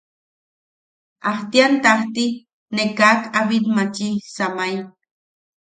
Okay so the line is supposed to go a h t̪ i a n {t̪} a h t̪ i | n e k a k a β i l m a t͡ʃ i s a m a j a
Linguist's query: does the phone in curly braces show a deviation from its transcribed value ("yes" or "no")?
no